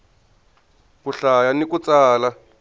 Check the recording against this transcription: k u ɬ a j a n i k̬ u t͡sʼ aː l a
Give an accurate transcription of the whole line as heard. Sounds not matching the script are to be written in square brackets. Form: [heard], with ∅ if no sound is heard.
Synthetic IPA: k u ɬ a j a n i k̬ u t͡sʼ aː l a